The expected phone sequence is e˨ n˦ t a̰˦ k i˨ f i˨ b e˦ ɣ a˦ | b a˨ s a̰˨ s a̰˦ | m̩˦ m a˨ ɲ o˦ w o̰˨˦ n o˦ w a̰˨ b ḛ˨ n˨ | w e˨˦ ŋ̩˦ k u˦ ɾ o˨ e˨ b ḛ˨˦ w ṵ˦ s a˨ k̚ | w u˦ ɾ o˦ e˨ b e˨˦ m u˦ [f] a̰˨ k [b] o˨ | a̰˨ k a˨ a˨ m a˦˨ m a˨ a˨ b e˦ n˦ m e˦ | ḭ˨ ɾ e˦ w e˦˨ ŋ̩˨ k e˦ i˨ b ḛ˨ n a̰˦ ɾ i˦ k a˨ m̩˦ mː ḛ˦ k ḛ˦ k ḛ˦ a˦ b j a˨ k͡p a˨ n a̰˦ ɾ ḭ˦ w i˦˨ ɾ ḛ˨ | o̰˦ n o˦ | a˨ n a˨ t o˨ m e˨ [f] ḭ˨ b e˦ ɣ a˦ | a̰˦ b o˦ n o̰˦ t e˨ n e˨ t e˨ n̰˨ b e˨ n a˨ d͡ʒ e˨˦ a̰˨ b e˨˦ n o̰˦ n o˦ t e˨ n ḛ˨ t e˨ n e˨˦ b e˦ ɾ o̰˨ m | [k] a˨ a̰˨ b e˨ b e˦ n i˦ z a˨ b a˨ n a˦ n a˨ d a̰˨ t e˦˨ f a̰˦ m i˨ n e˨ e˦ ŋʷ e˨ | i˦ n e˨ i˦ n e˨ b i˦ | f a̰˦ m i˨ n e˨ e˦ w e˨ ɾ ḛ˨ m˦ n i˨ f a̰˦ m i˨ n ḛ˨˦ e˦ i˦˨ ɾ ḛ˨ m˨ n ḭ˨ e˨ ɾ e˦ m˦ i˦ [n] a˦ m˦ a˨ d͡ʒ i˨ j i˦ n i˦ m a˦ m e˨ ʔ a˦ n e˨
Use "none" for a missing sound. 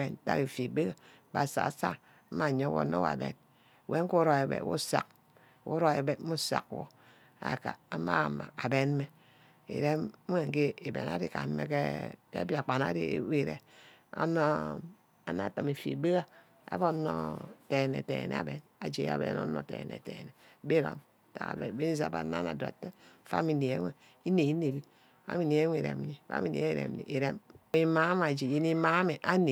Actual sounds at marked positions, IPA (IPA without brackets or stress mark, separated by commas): s, w, f, t, m